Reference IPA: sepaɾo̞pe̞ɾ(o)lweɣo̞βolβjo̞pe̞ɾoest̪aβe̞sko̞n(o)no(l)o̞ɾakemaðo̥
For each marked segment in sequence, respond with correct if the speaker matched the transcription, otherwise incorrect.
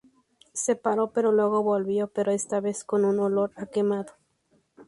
correct, incorrect, correct

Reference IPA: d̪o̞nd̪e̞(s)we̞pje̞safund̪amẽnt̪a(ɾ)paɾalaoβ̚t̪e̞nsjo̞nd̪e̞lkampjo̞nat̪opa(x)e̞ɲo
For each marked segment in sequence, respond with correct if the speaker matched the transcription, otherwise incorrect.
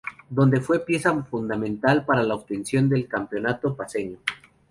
incorrect, incorrect, incorrect

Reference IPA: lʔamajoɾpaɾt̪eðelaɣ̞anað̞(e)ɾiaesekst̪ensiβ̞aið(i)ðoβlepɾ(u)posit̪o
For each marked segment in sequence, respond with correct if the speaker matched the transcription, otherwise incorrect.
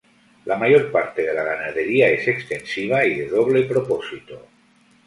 correct, incorrect, incorrect

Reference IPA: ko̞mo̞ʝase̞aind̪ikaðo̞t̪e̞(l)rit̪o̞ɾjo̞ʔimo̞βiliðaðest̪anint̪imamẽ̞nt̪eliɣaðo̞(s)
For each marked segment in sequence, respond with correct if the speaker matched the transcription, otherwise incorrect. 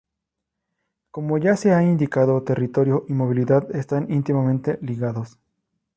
incorrect, correct

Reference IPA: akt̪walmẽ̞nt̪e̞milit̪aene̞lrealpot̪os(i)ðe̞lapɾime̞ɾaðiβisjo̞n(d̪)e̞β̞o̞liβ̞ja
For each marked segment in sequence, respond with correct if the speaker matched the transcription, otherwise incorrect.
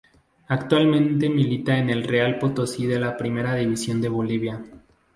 correct, correct

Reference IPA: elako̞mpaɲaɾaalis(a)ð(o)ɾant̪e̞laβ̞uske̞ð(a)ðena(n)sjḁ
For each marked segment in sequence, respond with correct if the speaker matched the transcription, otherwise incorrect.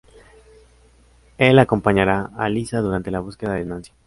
correct, incorrect, correct, correct

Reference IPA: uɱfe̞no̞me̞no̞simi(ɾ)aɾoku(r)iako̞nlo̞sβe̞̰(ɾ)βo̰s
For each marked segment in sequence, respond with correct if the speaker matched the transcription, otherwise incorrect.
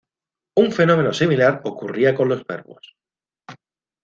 incorrect, correct, correct

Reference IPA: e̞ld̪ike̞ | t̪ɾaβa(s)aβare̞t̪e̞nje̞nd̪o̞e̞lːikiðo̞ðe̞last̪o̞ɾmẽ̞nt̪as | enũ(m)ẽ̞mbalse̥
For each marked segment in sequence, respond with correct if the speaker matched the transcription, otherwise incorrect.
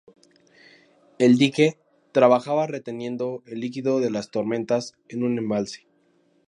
incorrect, incorrect

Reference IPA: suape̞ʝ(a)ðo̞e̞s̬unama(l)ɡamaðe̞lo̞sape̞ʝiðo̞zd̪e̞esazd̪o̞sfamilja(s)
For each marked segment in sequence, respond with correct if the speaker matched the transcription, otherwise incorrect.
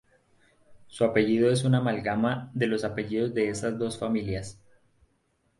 incorrect, correct, correct

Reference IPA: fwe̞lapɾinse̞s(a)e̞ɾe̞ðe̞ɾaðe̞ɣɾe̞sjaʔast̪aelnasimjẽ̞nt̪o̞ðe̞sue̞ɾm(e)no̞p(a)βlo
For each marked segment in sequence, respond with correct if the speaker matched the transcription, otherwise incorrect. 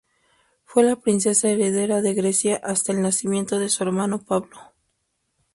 correct, incorrect, correct

